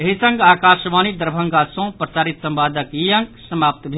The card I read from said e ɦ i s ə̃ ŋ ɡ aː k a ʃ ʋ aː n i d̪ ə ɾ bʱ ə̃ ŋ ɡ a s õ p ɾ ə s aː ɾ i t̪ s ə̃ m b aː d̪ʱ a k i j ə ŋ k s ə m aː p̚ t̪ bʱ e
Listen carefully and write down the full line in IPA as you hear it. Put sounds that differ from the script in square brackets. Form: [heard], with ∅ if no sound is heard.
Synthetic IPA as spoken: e ɦ i s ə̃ ŋ ɡ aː k a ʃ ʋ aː n i d̪ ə ɾ bʱ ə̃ ŋ ɡ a s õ p ɾ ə s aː ɾ i t̪ s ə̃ m b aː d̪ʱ [ə] k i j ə ŋ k s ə m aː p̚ t̪ bʱ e